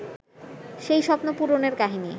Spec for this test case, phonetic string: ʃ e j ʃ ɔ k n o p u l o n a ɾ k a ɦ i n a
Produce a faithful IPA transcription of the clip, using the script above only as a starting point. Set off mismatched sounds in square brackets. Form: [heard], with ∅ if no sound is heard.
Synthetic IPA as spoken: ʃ e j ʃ ɔ [p] n o p u [ɾ] o n [e] ɾ k a ɦ i n [i]